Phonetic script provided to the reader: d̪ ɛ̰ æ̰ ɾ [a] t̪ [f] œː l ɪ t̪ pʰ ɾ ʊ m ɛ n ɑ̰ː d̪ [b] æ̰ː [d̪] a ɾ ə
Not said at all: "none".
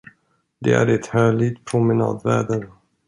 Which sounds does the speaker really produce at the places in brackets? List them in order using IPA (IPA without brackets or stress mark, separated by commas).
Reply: ɛ, h, v, d̪